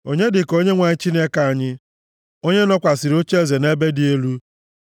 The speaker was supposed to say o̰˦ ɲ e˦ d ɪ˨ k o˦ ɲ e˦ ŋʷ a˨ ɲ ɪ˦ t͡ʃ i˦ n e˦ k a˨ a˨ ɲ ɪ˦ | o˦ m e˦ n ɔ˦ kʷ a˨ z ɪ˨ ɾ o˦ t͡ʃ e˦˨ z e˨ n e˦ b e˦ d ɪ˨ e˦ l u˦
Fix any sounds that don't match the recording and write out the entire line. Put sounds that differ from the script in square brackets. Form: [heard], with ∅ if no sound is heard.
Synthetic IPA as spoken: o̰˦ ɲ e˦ d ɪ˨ k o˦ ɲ e˦ ŋʷ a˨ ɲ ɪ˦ t͡ʃ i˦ n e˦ k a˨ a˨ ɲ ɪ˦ | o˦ [ɲ] e˦ n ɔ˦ kʷ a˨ [s] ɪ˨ ɾ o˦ t͡ʃ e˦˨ z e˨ n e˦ b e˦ d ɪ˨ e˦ l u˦

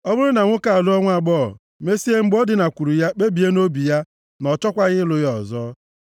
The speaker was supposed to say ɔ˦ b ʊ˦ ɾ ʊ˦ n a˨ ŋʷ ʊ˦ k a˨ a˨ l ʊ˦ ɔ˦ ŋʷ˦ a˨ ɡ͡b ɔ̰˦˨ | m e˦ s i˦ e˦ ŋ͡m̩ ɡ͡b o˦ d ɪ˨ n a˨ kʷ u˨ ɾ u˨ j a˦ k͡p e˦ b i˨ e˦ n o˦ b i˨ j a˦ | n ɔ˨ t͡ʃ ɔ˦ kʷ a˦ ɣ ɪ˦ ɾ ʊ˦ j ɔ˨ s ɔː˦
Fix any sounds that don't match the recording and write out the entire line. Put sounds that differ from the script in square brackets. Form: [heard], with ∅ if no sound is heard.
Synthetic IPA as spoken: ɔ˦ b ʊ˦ ɾ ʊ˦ n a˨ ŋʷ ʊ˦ k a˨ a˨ l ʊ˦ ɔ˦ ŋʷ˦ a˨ ɡ͡b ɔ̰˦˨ | m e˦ s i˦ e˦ ŋ͡m̩ ɡ͡b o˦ d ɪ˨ n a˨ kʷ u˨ ɾ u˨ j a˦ k͡p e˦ b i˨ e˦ n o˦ b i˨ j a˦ | n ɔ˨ t͡ʃ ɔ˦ kʷ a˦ ɣ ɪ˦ [l] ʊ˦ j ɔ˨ [z] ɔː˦

